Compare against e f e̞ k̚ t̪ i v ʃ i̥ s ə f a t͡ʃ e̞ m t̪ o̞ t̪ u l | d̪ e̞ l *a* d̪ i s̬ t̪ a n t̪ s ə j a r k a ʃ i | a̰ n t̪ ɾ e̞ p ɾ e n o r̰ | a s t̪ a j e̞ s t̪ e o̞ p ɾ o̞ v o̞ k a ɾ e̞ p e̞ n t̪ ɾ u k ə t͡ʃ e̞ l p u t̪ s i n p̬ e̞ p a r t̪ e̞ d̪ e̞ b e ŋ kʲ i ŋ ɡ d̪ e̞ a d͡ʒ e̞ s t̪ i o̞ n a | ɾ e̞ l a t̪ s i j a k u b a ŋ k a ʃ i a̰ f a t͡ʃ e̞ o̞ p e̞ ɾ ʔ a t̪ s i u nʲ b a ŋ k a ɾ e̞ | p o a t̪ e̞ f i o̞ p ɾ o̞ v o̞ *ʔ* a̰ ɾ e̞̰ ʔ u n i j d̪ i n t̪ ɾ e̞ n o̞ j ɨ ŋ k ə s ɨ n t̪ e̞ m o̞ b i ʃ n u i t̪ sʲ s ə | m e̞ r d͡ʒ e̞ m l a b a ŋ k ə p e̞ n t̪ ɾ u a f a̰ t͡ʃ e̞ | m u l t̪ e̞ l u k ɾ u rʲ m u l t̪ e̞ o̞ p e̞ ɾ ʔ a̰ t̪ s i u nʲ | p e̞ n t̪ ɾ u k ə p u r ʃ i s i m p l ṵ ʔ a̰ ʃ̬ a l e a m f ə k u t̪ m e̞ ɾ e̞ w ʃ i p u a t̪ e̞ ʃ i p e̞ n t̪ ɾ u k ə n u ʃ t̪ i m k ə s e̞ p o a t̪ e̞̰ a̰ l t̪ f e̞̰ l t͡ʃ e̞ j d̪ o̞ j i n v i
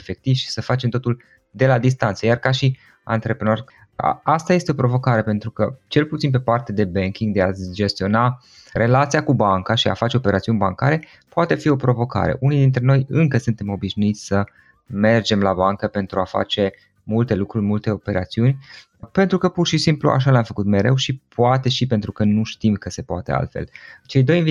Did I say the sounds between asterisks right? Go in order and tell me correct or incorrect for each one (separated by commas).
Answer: correct, incorrect